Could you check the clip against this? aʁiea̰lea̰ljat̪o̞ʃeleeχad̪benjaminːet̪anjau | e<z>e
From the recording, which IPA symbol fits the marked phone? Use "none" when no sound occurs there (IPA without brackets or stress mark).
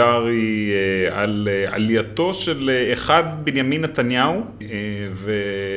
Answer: v